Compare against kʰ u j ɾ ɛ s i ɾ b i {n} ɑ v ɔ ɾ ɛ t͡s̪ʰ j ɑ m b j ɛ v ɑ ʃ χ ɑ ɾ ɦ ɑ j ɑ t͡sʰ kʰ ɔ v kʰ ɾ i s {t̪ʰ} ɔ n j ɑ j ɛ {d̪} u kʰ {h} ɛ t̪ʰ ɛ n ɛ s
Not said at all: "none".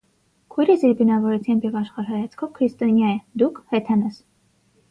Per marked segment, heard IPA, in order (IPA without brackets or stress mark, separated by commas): n, t̪, d̪, h